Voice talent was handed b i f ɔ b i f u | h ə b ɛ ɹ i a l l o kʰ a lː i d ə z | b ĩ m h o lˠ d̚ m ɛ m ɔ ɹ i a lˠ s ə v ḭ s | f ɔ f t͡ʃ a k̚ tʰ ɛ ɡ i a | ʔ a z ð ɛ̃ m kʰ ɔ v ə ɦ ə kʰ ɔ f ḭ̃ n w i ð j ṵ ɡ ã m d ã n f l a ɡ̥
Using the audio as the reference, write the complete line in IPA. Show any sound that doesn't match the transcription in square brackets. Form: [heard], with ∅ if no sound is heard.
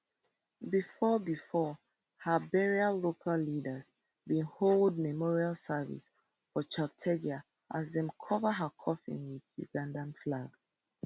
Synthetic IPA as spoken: b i f ɔ b i f [ɔ] | h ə b ɛ ɹ i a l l o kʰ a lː i d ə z | b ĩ [n] h o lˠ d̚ m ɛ m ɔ ɹ i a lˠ s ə v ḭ s | f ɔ [∅] t͡ʃ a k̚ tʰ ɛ ɡ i a | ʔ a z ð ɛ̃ m kʰ ɔ v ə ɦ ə kʰ ɔ f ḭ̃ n w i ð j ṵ ɡ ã [n] d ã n f l a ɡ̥